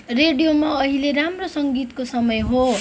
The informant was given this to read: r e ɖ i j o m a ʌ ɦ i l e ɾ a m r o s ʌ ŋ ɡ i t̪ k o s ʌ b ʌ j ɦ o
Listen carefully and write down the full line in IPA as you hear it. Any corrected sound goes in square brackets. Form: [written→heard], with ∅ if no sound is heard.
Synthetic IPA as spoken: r e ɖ i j o m a ʌ ɦ i l e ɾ a m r o s ʌ ŋ ɡ i t̪ k o s ʌ [b→m] ʌ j ɦ o